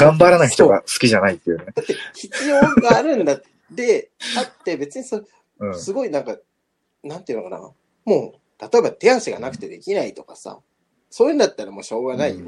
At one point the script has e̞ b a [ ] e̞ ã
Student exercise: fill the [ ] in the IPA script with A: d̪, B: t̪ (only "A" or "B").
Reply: B